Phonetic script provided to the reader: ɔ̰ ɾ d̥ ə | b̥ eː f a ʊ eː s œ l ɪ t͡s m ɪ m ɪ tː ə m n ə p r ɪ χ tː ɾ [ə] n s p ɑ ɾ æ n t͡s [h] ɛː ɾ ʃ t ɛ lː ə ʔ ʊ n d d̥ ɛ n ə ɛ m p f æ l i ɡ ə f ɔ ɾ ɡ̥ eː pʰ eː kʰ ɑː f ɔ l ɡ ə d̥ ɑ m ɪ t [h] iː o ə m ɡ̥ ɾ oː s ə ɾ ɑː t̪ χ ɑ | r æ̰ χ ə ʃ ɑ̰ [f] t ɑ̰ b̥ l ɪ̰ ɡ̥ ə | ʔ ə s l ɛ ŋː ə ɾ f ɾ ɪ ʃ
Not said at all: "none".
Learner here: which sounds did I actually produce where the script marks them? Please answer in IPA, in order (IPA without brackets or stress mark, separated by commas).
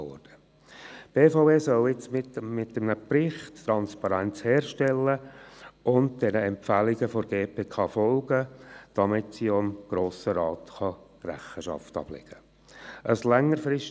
ɑ, h, s, f